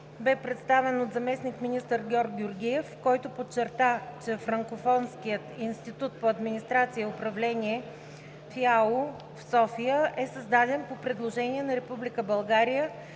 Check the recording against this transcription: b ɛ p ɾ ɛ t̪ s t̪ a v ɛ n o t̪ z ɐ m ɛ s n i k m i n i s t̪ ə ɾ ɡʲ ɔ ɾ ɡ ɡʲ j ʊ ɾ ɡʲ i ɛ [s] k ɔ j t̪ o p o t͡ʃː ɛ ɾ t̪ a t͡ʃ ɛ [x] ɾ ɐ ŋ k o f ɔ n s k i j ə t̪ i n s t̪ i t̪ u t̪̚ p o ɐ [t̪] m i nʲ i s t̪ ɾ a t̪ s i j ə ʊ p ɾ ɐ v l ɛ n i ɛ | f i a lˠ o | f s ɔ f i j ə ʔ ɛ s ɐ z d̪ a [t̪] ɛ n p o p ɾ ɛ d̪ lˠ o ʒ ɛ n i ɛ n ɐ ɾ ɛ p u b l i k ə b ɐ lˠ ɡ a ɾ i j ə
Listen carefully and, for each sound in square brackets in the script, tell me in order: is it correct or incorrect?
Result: incorrect, incorrect, incorrect, incorrect

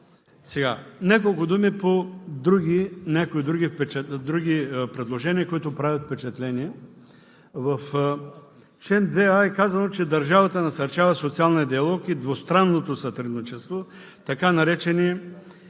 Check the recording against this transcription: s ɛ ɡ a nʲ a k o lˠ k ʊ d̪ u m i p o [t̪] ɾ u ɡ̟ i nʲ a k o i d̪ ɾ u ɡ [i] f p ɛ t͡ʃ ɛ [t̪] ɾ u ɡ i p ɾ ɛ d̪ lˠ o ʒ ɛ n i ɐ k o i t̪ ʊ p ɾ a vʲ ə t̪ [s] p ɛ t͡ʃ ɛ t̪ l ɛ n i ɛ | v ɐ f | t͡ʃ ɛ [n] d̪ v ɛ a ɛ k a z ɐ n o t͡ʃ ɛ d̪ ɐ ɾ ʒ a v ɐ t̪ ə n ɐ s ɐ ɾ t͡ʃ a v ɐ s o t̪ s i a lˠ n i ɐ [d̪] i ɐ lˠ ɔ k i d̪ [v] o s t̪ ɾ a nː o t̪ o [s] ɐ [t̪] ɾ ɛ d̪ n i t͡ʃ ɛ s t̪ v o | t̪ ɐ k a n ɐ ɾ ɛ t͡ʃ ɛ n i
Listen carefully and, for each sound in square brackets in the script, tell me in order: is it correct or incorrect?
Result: incorrect, correct, incorrect, incorrect, correct, correct, correct, correct, correct

